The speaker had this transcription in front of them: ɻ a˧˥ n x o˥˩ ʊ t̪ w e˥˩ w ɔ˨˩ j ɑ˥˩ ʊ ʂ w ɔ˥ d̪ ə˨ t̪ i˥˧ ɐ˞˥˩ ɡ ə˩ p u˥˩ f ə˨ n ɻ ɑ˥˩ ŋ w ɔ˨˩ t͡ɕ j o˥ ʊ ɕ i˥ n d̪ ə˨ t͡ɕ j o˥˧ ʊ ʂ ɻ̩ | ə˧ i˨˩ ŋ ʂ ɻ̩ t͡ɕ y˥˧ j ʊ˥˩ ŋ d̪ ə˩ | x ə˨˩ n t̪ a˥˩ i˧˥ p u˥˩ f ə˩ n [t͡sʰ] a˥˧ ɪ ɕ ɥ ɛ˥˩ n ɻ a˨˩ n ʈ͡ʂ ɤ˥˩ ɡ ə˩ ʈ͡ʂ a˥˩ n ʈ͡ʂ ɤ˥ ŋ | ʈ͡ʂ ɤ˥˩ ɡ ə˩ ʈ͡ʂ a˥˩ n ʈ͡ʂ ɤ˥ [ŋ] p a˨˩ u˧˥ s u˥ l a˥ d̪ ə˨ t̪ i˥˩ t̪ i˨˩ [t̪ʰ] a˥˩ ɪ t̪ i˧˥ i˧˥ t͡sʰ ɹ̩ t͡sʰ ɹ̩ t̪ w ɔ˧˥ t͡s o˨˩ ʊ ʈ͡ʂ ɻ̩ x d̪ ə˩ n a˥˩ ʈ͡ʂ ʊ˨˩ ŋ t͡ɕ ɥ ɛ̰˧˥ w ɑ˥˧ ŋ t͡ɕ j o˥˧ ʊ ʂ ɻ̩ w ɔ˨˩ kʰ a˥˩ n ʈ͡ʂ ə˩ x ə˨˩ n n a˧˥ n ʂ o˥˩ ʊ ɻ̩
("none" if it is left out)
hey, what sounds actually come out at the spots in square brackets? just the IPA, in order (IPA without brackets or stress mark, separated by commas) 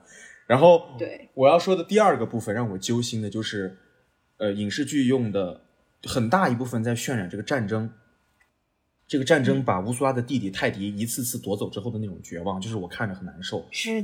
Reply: t͡s, ŋ, t̪ʰ